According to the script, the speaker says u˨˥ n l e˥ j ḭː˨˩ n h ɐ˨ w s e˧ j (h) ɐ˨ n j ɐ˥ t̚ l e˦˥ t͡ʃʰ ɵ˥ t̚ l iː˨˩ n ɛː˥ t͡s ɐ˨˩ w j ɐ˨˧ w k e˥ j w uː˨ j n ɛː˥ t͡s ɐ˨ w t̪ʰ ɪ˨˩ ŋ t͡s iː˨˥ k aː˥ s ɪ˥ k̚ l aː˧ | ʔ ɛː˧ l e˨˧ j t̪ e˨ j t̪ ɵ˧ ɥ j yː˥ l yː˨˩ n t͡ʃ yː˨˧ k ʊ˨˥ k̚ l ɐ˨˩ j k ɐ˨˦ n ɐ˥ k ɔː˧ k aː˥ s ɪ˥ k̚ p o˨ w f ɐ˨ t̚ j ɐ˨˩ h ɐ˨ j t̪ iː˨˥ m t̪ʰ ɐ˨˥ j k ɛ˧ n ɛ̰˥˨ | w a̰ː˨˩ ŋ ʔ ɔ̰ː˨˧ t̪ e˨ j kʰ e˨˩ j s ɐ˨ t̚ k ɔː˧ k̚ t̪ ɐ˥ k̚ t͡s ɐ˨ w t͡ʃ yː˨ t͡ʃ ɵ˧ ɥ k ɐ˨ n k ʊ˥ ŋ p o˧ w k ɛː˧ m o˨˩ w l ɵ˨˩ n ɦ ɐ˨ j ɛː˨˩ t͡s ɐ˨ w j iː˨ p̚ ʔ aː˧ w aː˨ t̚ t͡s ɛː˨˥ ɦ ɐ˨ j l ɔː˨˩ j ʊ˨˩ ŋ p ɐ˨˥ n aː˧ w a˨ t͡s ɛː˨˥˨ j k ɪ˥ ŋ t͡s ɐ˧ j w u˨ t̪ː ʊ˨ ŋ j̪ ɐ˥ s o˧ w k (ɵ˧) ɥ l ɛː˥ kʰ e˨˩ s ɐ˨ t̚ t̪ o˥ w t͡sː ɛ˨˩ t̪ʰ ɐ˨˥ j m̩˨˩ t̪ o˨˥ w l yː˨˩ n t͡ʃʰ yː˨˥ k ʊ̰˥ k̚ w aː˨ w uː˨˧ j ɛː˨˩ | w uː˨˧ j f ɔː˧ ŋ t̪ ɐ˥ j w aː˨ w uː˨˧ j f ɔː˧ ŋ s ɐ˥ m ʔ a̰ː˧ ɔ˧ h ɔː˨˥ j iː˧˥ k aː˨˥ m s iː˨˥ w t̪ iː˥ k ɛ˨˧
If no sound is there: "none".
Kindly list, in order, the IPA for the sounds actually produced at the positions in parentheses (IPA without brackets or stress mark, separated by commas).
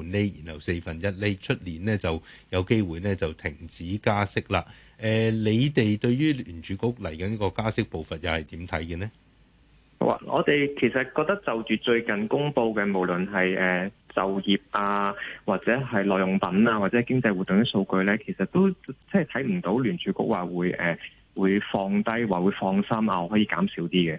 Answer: f, ɵ˧